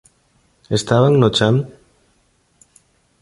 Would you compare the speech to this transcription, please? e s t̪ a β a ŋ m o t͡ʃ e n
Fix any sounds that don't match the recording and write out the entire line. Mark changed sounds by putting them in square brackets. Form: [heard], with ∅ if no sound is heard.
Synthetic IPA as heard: e s t̪ a β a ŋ [n] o t͡ʃ [a] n